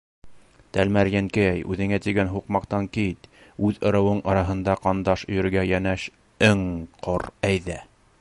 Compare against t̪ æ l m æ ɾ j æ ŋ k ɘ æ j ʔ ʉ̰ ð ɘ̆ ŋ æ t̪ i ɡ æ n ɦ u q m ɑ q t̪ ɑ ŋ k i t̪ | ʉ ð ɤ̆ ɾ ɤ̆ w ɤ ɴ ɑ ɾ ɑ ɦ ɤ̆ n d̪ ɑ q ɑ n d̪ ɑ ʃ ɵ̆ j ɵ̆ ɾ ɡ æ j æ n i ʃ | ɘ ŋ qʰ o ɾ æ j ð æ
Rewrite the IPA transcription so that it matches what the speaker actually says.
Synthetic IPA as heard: t̪ æ l m æ ɾ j æ ŋ k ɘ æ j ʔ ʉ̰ ð ɘ̆ ŋ æ t̪ i ɡ æ n ɦ u q m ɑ q t̪ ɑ ŋ k i t̪ | ʉ ð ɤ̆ ɾ ɤ̆ w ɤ ɴ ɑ ɾ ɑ ɦ ɤ̆ n d̪ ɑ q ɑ n d̪ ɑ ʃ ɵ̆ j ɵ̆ ɾ ɡ æ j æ n æ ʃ | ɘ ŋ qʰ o ɾ æ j ð æ